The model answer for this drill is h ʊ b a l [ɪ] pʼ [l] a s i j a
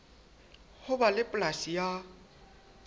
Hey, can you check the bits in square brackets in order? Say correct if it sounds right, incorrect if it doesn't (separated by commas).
correct, correct